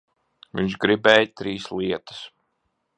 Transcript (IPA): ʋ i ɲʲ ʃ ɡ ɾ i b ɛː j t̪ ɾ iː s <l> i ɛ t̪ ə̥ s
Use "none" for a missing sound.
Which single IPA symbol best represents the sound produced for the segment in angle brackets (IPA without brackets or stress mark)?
l